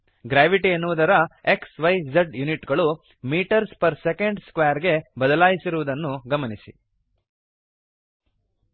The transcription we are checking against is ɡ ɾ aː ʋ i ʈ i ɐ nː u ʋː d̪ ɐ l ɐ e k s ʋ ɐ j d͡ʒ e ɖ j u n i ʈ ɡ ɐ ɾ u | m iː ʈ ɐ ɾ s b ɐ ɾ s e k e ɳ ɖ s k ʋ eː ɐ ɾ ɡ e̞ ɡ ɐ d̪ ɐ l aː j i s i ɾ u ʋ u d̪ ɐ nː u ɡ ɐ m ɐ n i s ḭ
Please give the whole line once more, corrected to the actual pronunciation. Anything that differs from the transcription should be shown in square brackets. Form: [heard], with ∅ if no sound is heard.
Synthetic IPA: ɡ ɾ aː ʋ i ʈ i ɐ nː u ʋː d̪ ɐ [ɾ] ɐ e k s ʋ ɐ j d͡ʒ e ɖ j u n i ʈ ɡ ɐ [ɭ] u | m iː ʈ ɐ ɾ s [p] ɐ ɾ s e k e ɳ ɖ s k ʋ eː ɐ ɾ ɡ e̞ [b] ɐ d̪ ɐ l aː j i s i ɾ u ʋ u d̪ ɐ nː u ɡ ɐ m ɐ n i s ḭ